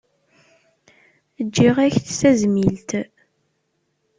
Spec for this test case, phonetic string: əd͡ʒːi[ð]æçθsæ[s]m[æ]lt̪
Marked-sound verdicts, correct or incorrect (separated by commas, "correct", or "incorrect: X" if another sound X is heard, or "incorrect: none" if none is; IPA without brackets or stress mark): incorrect: ʁ, incorrect: z, incorrect: i